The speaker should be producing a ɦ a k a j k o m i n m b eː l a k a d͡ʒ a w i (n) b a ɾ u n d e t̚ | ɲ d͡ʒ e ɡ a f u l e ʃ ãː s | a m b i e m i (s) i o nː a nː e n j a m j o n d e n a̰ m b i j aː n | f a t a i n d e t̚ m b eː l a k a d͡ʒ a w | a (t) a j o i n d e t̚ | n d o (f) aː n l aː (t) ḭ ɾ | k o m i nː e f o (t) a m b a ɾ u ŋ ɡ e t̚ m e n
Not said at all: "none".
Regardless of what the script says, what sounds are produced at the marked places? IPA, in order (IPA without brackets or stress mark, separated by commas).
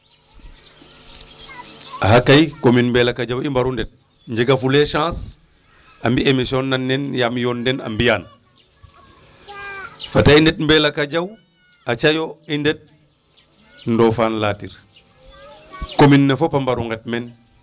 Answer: m, s, t͡ʃ, f, t, p